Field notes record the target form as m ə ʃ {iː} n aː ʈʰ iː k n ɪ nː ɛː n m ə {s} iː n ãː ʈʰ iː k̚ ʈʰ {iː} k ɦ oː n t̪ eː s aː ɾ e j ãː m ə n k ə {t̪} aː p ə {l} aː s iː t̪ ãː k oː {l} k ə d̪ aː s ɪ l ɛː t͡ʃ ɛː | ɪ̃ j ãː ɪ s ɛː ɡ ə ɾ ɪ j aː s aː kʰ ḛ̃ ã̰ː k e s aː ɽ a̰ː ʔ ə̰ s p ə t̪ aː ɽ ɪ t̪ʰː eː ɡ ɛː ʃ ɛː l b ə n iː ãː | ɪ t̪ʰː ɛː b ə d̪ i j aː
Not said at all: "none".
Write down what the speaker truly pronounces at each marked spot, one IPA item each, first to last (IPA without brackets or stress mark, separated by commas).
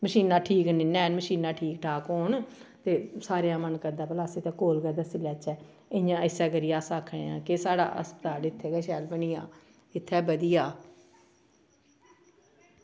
iː, ʃ, aː, d̪, l, l